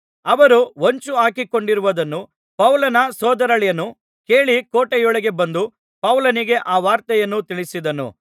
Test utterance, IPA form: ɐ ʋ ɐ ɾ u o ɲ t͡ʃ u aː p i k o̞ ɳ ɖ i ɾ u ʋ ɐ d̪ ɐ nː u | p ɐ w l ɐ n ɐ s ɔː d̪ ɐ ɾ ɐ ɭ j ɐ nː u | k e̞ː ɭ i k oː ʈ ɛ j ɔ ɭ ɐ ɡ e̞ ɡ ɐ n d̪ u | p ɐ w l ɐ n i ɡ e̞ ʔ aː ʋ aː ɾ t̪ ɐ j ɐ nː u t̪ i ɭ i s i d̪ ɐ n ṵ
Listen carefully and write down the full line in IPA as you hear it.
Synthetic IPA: ɐ ʋ ɐ ɾ u o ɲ t͡ʃ u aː k i k o̞ ɳ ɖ i ɾ u ʋ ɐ d̪ ɐ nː u | p ɐ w l ɐ n ɐ s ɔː d̪ ɐ ɾ ɐ ɭ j ɐ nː u | k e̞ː ɭ i k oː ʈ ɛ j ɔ ɭ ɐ ɡ e̞ b ɐ n d̪ u | p ɐ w l ɐ n i ɡ e̞ ʔ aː ʋ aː ɾ t̪ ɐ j ɐ nː u t̪ i ɭ i s i d̪ ɐ n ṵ